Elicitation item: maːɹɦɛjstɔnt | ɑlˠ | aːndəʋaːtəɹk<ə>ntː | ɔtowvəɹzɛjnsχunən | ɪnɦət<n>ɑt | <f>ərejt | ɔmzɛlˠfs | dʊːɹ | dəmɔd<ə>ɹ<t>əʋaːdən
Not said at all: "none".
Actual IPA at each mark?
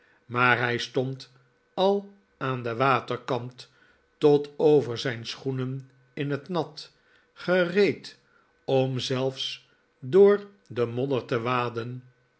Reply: ɑ, n, χ, ə, t

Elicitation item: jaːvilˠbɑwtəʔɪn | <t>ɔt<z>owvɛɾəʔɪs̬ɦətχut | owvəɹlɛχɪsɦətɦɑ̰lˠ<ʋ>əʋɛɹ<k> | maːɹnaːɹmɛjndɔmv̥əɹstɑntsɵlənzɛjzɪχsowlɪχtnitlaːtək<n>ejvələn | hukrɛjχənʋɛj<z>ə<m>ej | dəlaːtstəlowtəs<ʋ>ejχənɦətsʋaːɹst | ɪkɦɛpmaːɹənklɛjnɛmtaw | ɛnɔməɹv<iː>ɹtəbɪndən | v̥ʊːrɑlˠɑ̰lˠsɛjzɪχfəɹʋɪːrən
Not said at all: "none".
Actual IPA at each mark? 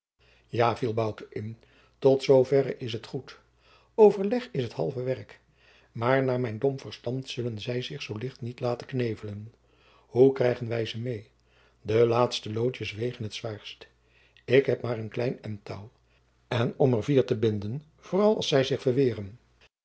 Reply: t, s, v, k, n, z, m, ʋ, iː

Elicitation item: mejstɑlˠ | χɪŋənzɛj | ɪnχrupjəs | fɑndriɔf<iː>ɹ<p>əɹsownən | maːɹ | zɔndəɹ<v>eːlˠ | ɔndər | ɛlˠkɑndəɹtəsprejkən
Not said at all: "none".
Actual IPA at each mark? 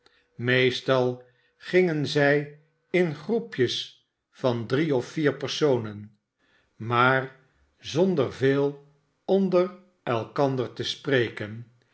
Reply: iː, p, v

